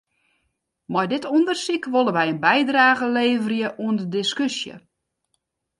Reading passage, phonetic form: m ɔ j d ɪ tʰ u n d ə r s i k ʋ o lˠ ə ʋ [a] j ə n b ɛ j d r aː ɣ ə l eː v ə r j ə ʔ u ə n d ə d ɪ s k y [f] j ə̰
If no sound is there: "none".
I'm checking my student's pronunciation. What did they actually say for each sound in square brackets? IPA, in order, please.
ɛ, s

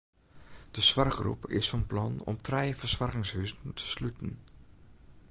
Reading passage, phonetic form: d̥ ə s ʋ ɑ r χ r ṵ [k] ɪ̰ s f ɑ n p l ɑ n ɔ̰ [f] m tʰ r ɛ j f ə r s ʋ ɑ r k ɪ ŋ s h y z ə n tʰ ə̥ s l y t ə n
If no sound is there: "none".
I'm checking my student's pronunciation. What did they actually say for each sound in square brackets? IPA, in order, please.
p, none

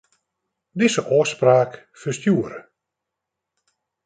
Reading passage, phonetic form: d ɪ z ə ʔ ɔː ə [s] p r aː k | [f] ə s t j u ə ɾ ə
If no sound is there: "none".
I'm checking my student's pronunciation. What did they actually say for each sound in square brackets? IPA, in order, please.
s, f

